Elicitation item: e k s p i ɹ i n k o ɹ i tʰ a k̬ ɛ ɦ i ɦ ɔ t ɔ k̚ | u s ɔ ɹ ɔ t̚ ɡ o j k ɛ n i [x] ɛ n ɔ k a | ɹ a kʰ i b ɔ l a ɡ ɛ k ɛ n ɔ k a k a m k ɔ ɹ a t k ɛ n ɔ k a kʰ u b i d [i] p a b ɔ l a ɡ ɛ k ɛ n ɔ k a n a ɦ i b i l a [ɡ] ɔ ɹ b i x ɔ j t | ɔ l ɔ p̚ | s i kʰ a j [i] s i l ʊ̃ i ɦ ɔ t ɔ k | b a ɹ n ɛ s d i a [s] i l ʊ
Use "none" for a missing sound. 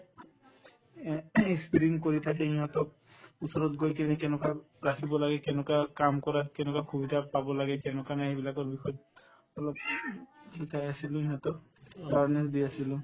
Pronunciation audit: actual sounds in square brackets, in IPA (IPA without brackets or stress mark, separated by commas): k, a, k, a, s